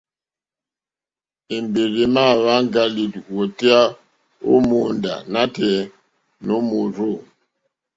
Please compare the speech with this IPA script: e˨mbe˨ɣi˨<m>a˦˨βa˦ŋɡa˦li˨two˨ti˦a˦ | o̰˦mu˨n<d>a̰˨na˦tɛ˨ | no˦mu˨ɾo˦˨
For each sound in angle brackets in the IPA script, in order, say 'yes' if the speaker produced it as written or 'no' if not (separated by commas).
yes, yes